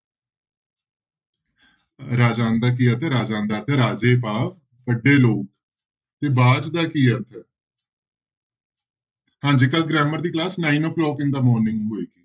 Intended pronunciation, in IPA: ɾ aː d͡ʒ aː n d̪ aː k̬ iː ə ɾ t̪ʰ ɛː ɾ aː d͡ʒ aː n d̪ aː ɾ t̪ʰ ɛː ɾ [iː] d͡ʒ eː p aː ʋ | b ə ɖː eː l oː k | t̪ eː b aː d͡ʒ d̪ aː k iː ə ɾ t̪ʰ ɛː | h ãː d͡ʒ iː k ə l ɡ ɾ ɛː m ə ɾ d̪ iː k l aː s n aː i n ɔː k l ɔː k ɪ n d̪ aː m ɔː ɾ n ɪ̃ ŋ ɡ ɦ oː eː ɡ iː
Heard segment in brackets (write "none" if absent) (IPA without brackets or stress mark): aː